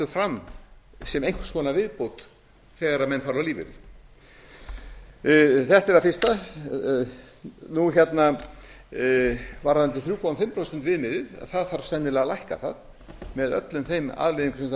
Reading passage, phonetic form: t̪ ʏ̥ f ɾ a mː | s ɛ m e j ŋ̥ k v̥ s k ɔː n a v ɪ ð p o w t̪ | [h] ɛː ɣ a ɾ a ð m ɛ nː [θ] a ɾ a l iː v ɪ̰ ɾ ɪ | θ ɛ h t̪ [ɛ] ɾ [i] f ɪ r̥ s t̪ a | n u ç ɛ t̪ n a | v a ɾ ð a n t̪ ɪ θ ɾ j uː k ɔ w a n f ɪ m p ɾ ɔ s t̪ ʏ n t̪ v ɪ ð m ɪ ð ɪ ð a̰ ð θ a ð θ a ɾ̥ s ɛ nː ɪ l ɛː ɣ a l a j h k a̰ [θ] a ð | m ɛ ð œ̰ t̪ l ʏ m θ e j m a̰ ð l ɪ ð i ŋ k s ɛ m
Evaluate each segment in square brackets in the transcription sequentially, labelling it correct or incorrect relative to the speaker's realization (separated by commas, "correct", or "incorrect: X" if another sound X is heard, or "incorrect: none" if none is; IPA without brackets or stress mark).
incorrect: θ, incorrect: f, correct, incorrect: a, correct